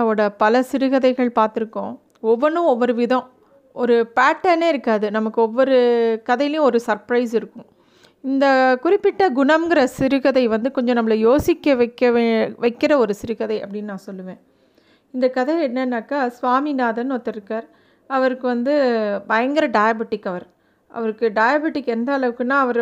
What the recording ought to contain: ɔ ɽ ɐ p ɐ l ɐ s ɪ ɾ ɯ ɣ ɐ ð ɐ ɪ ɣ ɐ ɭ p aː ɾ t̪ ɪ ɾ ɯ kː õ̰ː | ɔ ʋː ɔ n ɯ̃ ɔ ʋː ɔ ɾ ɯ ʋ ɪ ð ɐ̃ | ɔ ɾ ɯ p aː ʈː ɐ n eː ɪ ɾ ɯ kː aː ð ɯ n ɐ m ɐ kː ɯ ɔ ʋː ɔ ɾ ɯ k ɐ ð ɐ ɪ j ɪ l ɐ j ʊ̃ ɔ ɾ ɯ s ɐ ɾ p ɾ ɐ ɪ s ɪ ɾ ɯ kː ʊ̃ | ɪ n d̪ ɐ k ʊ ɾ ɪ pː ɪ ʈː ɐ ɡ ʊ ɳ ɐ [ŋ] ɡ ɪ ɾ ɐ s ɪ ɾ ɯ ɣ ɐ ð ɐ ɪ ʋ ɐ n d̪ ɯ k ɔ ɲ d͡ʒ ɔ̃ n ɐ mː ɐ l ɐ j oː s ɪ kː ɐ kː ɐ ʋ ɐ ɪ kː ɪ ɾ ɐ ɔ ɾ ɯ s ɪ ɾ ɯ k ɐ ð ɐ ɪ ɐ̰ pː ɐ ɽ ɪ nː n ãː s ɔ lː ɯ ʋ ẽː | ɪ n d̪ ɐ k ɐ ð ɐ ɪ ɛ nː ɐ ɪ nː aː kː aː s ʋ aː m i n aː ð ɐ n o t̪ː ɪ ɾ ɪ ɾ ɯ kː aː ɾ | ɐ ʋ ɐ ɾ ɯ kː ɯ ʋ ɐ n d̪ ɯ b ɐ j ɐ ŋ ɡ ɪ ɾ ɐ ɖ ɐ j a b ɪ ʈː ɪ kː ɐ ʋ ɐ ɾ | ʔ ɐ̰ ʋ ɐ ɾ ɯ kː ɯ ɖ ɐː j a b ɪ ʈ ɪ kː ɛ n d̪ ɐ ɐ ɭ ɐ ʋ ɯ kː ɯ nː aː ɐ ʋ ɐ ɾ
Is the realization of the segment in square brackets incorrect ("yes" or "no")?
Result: yes